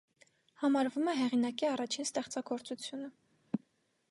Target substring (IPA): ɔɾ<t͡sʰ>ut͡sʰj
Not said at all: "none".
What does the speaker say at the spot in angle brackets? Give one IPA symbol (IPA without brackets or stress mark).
t͡s